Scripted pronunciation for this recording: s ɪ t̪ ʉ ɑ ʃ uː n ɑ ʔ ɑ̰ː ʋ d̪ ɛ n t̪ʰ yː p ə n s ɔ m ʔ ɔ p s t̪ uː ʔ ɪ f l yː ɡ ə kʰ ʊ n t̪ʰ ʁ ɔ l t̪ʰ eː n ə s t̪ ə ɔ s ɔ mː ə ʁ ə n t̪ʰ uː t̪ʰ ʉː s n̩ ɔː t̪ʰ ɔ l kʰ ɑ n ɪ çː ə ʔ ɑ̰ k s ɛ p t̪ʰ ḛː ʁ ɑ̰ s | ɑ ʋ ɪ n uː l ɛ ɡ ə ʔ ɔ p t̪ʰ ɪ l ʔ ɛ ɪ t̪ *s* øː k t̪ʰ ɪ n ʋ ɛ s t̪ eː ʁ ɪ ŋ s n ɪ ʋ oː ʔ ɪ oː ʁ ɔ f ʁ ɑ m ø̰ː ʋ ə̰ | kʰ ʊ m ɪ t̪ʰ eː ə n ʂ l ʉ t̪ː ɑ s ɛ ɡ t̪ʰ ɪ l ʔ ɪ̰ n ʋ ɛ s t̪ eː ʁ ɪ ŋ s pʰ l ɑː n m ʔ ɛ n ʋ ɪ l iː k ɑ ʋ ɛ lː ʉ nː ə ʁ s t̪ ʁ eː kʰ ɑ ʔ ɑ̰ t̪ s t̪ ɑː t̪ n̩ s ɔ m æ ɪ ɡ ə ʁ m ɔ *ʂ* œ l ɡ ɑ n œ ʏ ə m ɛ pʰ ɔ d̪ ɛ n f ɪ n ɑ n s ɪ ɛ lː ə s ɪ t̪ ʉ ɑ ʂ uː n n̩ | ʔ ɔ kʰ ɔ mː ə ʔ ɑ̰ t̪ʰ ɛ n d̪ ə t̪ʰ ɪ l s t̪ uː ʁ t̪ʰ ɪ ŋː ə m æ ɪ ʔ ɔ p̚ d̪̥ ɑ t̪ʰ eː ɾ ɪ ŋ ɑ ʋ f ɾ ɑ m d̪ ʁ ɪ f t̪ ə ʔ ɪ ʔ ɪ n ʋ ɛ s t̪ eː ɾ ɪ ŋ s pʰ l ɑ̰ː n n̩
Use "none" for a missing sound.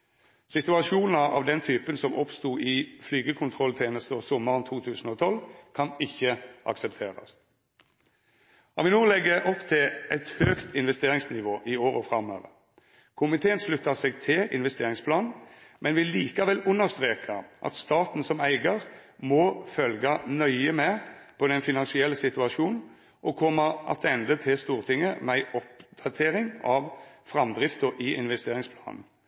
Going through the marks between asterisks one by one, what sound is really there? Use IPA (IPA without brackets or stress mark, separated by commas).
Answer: h, f